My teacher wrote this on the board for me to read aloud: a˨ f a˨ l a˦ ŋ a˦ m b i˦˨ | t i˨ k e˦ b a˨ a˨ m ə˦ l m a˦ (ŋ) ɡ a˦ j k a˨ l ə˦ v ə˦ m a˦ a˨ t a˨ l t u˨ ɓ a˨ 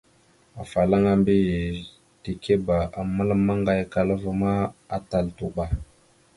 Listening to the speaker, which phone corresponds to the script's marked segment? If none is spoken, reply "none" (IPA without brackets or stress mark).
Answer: ŋ